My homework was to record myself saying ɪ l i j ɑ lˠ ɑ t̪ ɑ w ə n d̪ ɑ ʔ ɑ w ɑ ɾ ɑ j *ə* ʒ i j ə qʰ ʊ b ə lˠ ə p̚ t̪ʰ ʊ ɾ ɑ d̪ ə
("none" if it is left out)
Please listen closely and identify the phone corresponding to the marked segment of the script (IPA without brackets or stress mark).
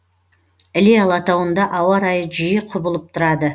ə